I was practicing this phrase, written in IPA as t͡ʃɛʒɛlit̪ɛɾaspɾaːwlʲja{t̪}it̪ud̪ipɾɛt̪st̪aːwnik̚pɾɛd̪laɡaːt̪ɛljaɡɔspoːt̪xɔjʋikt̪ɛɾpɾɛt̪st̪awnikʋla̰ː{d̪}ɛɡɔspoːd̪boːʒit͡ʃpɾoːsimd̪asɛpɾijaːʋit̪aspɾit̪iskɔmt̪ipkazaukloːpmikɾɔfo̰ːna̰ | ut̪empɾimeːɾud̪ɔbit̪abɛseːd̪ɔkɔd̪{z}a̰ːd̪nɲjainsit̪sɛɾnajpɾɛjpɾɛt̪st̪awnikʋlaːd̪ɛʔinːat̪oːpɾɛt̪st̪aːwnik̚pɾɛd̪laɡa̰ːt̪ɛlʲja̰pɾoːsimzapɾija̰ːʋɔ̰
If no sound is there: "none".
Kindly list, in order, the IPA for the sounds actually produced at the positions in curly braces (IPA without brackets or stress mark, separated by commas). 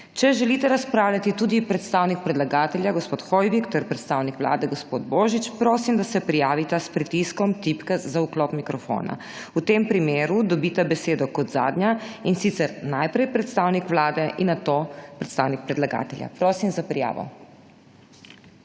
t̪, d̪, z